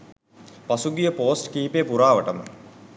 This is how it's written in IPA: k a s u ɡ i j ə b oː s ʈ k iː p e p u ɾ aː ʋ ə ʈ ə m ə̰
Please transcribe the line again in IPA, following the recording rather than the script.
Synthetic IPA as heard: p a s u ɡ i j ə p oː s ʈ k iː p e p u ɾ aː ʋ ə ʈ ə m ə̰